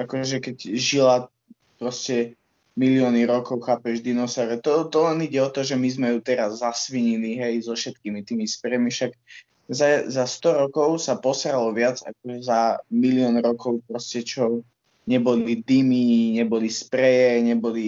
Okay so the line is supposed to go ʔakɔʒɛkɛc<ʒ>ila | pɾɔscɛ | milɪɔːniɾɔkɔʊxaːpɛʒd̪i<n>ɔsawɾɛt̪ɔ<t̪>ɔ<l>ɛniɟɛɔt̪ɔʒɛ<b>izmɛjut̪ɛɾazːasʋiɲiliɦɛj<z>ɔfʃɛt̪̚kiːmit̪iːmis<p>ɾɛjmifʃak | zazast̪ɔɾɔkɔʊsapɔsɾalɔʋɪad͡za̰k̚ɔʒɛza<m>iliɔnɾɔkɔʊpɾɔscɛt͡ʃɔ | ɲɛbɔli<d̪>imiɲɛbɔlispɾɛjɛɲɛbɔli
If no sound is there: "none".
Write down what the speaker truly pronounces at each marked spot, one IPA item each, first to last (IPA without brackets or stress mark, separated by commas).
ʒ, n, t̪, l, m, z, p, m, d̪